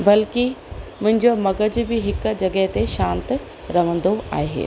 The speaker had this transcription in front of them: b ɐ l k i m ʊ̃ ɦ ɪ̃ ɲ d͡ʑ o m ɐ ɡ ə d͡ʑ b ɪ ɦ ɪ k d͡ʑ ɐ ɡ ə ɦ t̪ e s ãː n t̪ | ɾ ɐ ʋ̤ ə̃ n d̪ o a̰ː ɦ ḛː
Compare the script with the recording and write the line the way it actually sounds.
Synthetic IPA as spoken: b ɐ l k i m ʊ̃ ɦ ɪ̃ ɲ d͡ʑ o m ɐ ɡ ə d͡ʑ b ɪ ɦ ɪ k d͡ʑ ɐ ɡ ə ɦ t̪ e ʃ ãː n t̪ | ɾ ɐ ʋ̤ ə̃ n d̪ o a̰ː ɦ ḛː